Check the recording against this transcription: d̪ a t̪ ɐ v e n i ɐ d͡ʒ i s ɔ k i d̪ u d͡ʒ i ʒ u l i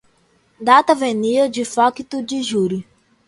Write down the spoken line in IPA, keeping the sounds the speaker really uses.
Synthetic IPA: d̪ a t̪ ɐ v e n i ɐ d͡ʒ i f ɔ k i t̪ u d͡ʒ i ʒ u ɾ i